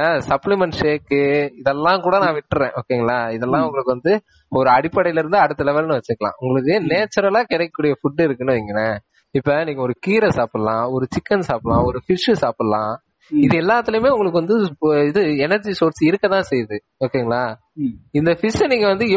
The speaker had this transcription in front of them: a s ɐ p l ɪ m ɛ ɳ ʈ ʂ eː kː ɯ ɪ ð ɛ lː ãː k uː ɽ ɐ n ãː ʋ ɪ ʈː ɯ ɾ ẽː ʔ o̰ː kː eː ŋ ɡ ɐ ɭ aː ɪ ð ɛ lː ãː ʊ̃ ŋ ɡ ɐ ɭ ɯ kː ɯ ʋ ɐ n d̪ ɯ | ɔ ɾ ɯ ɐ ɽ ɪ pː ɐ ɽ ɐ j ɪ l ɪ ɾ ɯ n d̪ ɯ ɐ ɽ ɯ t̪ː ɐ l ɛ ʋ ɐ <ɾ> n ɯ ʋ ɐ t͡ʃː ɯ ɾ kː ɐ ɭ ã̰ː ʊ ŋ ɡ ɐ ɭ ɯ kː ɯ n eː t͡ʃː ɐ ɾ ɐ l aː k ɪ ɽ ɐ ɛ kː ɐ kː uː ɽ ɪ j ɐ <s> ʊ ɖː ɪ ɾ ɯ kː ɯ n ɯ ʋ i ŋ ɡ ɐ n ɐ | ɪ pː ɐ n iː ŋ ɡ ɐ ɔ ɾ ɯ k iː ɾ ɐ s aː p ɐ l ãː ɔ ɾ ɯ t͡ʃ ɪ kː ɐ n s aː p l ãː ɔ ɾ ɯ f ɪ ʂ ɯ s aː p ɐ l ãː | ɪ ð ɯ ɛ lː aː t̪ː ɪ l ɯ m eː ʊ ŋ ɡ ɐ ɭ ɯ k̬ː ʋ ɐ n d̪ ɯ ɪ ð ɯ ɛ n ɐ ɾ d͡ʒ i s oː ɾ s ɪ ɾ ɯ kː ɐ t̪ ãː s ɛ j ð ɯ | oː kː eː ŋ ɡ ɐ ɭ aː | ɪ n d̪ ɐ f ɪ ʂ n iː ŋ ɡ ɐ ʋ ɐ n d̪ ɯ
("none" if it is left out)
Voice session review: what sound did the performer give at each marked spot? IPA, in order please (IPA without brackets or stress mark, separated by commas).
l, f